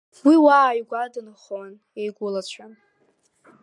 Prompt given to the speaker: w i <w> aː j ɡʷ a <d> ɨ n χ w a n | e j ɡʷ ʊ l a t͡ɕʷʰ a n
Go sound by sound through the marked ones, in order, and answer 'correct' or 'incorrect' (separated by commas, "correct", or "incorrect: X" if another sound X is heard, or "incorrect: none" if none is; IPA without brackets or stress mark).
correct, correct